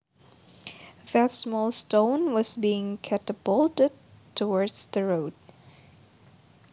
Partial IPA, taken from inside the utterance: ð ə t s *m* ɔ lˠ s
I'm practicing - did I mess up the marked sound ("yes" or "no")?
no